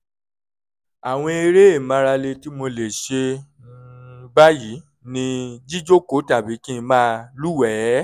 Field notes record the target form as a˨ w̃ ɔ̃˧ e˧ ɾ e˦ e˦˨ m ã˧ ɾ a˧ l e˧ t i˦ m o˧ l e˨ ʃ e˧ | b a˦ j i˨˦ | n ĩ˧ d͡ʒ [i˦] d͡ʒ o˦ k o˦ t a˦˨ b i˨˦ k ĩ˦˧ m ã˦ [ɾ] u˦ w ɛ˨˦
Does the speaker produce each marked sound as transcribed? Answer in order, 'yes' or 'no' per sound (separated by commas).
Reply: yes, no